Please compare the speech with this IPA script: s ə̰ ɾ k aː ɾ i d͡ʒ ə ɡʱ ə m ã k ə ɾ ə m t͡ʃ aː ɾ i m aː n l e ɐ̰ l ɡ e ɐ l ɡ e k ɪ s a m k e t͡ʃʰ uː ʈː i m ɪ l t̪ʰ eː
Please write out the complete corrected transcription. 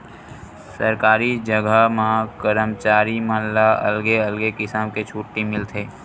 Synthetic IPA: s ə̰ ɾ k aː ɾ i d͡ʒ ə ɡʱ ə m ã k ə ɾ ə m t͡ʃ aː ɾ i m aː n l a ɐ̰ l ɡ e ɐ l ɡ e k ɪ s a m k e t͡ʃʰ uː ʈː i m ɪ l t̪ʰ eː